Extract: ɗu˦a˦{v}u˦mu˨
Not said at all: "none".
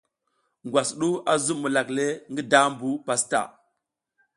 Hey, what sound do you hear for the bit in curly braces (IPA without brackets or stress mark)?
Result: z